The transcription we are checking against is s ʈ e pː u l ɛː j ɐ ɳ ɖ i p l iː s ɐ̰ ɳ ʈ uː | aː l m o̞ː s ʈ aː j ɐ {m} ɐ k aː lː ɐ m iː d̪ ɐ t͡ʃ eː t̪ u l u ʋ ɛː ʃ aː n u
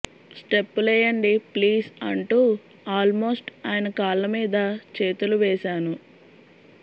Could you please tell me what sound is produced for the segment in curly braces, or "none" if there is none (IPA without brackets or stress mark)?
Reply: n